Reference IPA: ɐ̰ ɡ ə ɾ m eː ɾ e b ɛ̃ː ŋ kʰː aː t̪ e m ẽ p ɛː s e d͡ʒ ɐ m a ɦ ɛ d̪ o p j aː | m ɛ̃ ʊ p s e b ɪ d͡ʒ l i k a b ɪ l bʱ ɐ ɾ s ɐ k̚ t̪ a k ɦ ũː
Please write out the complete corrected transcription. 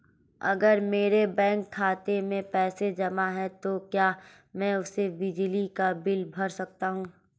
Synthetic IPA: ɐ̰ ɡ ə ɾ m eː ɾ e b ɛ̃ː ŋ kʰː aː t̪ e m ẽ p ɛː s e d͡ʒ ɐ m a ɦ ɛ t̪ o k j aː | m ɛ̃ ʊ s e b ɪ d͡ʒ l i k a b ɪ l bʱ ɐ ɾ s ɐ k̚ t̪ a ɦ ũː